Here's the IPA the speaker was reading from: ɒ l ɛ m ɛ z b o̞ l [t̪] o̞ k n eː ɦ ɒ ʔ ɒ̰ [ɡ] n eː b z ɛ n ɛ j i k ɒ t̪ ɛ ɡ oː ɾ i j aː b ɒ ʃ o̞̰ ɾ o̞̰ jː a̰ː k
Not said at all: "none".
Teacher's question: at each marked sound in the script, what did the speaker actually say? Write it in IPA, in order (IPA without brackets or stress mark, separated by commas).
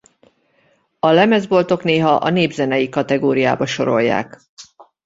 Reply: t̪, none